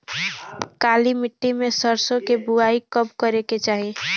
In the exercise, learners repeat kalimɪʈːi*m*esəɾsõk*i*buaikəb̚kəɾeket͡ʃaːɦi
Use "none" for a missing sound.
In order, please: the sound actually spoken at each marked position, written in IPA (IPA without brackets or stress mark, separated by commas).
m, e